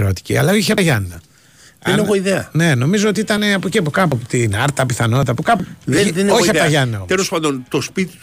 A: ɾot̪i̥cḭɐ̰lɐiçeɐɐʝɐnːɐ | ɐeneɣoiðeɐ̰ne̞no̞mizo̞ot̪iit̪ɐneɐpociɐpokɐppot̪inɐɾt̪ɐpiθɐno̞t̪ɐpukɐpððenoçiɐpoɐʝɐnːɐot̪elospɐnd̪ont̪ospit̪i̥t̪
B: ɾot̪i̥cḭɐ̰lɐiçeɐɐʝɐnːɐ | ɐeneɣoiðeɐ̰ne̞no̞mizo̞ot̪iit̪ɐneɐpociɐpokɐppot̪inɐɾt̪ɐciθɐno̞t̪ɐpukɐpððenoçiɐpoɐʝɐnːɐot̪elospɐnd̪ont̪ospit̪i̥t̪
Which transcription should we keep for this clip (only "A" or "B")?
A